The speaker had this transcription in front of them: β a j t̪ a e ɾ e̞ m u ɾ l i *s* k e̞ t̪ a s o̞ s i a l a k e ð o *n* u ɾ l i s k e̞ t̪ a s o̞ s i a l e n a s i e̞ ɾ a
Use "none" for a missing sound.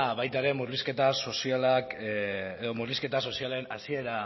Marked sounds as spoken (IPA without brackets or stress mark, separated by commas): s, m